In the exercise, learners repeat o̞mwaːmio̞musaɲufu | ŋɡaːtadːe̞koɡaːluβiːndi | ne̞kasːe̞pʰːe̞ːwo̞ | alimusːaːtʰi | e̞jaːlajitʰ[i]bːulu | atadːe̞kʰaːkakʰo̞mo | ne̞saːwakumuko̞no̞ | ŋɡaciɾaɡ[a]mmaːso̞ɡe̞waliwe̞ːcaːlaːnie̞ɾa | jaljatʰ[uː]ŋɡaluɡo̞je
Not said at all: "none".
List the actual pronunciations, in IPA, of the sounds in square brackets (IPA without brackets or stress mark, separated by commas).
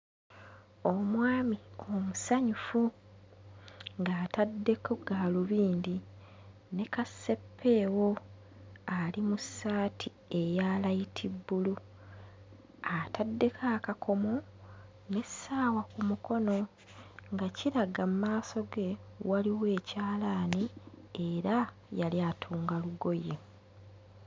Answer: i, a, uː